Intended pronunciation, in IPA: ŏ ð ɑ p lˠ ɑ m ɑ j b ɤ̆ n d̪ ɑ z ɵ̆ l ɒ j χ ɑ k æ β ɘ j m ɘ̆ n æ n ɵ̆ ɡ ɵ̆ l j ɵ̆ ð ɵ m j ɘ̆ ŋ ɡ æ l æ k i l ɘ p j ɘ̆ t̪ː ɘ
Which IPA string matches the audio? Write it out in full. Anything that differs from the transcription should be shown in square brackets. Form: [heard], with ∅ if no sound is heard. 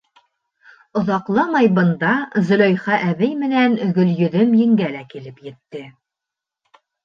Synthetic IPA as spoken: ŏ ð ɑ [q] lˠ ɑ m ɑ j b ɤ̆ n d̪ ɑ z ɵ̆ l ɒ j χ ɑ [ʔ] æ β ɘ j m ɘ̆ n æ n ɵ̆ ɡ ɵ̆ l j ɵ̆ ð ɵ m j ɘ̆ ŋ ɡ æ l æ k i l ɘ p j ɘ̆ t̪ː ɘ